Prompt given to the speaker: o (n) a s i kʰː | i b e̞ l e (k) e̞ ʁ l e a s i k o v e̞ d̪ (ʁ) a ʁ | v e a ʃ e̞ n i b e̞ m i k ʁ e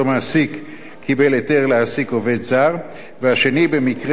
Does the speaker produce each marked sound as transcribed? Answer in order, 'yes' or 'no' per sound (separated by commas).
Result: no, no, no